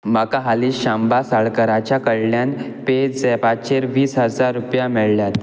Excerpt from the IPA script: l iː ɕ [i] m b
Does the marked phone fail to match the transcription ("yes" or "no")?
yes